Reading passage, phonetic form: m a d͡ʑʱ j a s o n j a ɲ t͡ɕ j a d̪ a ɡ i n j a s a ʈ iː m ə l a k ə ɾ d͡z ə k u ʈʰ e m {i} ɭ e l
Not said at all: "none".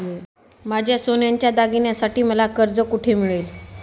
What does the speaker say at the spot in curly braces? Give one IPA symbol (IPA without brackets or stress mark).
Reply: i